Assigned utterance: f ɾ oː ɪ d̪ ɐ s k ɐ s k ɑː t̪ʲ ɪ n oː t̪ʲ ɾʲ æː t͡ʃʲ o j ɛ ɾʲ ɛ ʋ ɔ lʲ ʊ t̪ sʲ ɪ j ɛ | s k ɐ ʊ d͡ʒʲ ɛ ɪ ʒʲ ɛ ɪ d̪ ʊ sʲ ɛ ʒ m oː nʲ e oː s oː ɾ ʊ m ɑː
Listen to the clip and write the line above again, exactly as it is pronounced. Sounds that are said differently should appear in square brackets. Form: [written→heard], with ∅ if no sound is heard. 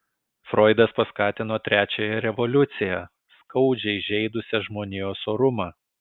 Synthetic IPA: f ɾ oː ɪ d̪ ɐ s [k→p] ɐ s k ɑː t̪ʲ ɪ n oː t̪ʲ ɾʲ æː t͡ʃʲ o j ɛ ɾʲ ɛ ʋ ɔ lʲ ʊ t̪ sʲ ɪ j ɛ | s k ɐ ʊ d͡ʒʲ ɛ ɪ ʒʲ ɛ ɪ d̪ ʊ sʲ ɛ ʒ m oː nʲ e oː s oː ɾ ʊ m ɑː